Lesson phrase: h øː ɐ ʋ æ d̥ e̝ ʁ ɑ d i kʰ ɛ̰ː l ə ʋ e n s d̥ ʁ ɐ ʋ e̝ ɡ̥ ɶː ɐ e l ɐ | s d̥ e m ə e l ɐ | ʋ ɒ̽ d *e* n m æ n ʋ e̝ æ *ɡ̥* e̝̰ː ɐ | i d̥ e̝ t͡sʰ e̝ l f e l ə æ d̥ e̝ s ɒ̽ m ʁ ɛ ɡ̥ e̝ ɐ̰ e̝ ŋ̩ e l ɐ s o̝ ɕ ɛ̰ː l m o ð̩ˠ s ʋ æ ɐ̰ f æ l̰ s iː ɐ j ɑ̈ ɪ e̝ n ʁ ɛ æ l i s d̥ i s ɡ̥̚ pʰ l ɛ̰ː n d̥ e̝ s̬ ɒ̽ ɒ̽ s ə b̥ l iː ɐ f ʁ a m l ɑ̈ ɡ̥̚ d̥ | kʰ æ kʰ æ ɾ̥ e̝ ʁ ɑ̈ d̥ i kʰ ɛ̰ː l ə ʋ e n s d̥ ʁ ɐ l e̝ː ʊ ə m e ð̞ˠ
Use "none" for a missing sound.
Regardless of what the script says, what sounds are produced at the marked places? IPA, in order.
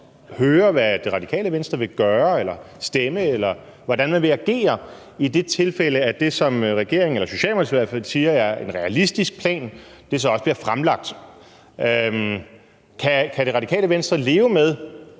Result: æ, ɡ̥

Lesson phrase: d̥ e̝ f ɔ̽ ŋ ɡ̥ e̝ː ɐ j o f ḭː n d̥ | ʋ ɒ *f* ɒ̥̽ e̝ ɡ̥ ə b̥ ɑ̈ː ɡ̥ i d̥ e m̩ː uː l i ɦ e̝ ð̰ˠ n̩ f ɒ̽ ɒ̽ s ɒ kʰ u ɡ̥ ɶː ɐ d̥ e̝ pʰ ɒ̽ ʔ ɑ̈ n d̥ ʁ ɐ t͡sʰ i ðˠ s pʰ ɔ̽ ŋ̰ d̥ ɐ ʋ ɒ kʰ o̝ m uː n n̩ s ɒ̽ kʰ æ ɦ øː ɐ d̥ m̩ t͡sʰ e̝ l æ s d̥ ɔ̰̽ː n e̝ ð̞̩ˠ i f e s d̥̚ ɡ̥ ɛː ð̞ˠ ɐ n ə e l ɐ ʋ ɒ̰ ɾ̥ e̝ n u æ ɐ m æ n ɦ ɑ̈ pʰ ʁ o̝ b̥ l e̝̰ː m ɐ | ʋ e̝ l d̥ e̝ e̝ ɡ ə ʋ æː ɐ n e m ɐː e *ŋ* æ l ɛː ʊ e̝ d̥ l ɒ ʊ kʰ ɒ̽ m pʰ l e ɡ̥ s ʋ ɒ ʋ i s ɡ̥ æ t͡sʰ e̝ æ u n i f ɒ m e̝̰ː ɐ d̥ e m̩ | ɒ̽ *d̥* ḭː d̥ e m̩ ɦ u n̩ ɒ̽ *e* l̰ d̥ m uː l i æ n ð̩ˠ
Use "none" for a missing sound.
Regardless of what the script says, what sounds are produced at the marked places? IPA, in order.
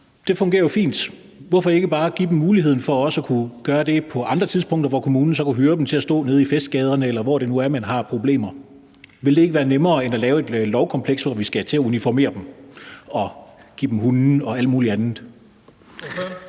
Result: f, n, ɡ̥, æ

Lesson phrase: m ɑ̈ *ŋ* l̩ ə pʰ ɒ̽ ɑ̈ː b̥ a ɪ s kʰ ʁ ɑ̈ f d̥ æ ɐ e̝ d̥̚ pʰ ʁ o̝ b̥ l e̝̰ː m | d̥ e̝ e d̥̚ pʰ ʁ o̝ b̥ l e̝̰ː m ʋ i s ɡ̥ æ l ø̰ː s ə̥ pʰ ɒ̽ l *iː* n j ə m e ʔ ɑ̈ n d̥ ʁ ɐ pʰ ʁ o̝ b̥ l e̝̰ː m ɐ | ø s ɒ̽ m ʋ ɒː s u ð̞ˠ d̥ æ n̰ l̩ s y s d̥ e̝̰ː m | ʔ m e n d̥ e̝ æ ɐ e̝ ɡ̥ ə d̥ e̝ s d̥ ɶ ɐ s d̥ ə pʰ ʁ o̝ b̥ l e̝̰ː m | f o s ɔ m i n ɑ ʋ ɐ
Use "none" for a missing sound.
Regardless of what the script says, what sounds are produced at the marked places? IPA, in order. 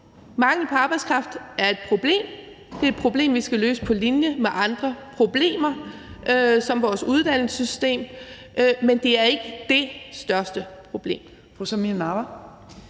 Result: ŋ, i

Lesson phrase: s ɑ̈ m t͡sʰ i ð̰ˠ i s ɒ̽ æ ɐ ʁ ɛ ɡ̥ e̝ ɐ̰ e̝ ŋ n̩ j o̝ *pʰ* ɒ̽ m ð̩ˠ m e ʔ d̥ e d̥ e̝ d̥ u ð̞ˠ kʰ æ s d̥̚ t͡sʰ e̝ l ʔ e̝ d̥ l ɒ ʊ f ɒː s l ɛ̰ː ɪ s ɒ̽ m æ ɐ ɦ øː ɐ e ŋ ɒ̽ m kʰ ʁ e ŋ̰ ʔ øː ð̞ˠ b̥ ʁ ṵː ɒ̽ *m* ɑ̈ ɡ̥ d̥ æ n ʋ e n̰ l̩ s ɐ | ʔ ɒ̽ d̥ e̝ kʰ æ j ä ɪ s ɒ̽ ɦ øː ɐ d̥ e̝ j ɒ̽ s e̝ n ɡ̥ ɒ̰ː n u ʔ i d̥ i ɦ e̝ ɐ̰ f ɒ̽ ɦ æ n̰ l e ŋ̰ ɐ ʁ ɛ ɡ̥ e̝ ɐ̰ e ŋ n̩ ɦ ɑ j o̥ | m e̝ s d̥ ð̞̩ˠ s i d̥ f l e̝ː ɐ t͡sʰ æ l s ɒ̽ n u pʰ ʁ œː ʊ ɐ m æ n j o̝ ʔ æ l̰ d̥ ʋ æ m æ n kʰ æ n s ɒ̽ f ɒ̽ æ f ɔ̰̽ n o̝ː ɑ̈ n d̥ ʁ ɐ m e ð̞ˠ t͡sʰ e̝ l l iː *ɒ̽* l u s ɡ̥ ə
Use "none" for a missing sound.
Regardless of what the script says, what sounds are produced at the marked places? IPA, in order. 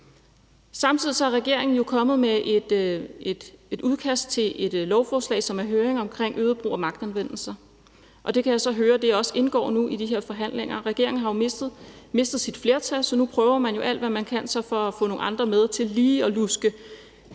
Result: kʰ, m, ɒ̽

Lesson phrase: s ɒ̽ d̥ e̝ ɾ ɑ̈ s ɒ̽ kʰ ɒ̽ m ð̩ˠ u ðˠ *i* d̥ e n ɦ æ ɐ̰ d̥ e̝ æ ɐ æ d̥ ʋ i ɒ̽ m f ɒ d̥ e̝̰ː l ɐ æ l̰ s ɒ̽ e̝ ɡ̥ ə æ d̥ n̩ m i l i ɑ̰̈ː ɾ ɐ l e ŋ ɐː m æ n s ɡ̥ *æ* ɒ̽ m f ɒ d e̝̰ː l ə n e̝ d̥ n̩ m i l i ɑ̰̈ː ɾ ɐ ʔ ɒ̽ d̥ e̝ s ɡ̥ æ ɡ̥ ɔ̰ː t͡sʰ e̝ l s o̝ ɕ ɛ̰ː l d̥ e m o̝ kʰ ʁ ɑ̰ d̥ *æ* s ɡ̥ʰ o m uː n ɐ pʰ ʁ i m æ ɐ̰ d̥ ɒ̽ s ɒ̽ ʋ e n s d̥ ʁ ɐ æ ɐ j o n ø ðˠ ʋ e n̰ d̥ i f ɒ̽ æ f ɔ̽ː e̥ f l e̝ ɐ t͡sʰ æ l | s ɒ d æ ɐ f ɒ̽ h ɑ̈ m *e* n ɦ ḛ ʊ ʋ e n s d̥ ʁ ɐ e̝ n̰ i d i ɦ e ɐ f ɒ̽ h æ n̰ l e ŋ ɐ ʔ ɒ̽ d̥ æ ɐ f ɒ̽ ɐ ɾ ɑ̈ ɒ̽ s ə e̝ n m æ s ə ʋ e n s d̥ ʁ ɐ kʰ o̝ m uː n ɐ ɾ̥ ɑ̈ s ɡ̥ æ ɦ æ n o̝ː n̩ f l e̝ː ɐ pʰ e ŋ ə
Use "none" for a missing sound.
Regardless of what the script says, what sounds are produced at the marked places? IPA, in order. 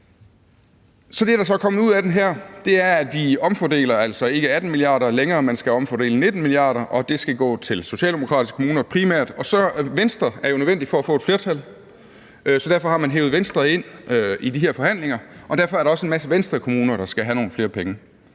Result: æ, æ, i, æ

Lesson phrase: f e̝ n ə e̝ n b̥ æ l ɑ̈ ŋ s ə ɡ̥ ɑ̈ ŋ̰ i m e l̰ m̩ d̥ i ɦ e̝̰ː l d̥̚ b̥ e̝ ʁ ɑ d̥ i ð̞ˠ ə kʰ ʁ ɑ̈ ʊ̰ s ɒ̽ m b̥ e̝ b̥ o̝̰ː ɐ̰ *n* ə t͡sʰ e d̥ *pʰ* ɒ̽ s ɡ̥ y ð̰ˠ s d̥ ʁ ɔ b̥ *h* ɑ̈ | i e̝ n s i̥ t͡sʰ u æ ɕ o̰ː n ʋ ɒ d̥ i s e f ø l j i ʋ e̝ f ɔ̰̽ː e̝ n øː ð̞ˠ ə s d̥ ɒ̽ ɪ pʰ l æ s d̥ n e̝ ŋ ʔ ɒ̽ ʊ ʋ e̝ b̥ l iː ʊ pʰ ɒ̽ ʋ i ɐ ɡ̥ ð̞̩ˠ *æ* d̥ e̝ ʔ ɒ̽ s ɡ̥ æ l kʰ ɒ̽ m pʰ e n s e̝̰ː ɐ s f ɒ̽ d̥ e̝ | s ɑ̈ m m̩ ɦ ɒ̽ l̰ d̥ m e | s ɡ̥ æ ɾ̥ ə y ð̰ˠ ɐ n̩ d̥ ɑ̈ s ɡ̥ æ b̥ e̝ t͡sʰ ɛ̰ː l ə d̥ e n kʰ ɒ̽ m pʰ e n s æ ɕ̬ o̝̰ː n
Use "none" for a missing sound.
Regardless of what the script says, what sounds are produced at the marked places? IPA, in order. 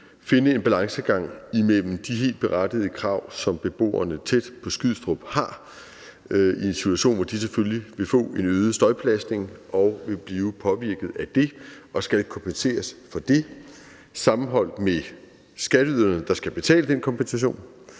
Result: n, pʰ, h, æ

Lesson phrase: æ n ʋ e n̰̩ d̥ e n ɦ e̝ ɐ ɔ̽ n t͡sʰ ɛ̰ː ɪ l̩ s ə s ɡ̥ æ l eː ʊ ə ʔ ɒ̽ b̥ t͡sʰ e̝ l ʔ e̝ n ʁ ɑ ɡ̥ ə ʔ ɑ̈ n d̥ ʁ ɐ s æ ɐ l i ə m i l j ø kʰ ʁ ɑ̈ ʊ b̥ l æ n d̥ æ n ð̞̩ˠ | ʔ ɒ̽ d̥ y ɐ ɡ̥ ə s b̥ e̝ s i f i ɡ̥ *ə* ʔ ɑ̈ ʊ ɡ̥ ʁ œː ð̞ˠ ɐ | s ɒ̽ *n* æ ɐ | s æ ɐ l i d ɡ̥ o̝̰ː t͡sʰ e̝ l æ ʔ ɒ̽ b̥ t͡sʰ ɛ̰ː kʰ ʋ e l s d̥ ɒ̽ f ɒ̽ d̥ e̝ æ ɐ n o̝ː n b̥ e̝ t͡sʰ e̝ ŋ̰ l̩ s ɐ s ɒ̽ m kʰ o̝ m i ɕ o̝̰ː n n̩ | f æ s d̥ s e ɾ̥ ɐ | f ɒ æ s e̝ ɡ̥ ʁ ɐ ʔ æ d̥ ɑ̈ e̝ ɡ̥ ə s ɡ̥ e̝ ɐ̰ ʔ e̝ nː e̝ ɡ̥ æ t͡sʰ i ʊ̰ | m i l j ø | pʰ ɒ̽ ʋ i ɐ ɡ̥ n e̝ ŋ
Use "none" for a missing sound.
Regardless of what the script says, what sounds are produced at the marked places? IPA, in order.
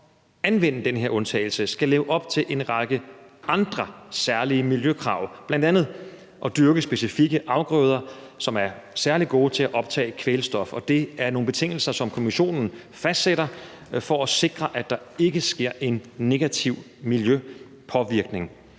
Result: ə, m

